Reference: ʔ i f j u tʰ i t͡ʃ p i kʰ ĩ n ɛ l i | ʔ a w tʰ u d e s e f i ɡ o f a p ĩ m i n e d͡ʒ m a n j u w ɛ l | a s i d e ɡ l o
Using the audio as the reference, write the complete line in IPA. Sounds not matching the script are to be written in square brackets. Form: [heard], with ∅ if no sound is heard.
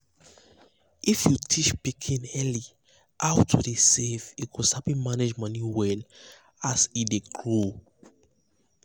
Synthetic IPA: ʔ i f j u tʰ i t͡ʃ p i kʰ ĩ n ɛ l i | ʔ a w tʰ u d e s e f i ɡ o [s] a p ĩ m [a] n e d͡ʒ m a n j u w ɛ l | a s i d e ɡ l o